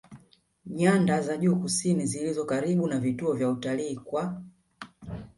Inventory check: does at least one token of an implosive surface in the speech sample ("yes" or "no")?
yes